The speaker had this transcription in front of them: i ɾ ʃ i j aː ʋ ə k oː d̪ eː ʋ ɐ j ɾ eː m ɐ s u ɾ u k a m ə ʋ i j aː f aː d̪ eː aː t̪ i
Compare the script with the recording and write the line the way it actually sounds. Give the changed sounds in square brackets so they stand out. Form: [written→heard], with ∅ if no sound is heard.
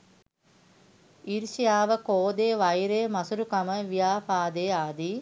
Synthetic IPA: i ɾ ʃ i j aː ʋ ə k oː d̪ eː ʋ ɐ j ɾ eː m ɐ s u ɾ u k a m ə ʋ i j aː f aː d̪ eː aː [t̪→d̪] i